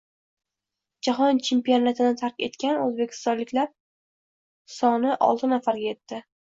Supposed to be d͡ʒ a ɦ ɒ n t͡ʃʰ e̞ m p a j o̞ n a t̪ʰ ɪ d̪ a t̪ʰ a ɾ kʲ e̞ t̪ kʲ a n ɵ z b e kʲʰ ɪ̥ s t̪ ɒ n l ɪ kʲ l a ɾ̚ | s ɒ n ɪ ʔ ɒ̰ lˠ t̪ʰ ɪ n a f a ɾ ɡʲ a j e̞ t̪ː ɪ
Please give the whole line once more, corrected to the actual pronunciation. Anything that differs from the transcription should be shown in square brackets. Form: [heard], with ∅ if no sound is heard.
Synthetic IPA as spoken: d͡ʒ a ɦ ɒ n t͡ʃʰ e̞ m p [i] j o̞ n a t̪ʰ ɪ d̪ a t̪ʰ a ɾ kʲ e̞ t̪ kʲ a n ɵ z b e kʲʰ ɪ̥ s t̪ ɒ n l ɪ kʲ l a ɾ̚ | s ɒ n ɪ ʔ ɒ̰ lˠ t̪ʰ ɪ n a f a ɾ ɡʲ a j e̞ t̪ː ɪ